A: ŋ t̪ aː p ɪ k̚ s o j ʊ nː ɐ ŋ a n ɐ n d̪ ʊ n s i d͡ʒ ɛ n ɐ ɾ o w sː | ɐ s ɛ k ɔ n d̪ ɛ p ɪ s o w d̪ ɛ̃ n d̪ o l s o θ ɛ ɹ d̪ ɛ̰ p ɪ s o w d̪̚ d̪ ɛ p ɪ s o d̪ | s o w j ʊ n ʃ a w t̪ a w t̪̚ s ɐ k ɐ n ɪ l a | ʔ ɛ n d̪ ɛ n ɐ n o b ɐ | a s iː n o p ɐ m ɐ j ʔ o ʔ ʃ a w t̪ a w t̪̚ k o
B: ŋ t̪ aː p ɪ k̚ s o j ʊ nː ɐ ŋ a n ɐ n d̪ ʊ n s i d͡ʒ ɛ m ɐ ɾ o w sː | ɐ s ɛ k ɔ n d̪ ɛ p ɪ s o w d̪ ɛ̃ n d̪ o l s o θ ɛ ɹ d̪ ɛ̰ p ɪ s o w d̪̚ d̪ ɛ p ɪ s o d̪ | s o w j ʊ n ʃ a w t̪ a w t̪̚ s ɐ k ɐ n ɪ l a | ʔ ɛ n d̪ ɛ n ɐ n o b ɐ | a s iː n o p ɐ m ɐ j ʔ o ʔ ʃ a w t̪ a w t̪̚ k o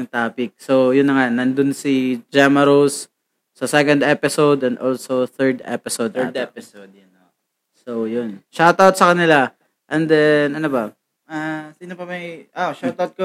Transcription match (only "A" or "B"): B